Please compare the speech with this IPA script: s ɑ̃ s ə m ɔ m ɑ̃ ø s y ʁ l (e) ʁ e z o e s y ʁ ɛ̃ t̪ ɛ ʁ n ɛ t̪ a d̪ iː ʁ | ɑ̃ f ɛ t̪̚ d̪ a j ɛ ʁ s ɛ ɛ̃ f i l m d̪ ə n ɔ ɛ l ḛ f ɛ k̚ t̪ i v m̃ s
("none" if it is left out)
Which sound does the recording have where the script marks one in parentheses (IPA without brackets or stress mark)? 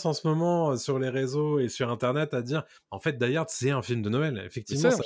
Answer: e